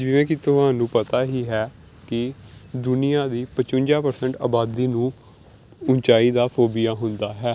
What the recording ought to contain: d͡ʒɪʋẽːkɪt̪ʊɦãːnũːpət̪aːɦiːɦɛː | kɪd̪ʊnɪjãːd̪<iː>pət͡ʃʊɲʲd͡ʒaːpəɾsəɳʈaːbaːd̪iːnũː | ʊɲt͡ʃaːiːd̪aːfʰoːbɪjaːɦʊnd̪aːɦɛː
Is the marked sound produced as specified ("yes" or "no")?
yes